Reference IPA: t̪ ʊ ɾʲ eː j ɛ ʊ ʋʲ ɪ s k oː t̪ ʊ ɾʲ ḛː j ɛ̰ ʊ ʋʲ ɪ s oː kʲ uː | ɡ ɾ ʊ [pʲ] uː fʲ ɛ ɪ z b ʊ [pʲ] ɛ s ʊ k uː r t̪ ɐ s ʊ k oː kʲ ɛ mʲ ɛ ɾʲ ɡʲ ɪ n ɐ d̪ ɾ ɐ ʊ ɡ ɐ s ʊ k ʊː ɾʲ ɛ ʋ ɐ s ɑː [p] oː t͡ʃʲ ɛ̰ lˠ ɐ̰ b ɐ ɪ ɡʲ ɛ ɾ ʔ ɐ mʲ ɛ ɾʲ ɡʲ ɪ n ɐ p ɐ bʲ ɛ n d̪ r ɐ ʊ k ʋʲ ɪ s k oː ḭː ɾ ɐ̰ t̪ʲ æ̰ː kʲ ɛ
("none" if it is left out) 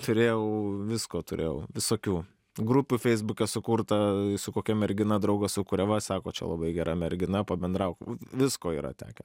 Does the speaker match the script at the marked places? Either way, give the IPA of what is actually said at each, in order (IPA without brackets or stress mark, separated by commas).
pʲ, kʲ, k